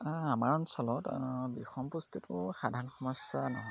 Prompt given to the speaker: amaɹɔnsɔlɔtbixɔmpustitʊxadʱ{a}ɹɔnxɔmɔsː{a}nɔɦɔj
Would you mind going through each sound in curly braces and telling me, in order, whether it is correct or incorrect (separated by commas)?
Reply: correct, correct